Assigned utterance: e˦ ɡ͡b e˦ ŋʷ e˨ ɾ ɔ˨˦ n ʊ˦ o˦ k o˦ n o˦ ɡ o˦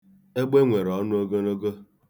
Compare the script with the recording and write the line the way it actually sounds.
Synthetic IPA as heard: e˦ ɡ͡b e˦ ŋʷ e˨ ɾ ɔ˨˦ n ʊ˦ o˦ ɡ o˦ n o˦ ɡ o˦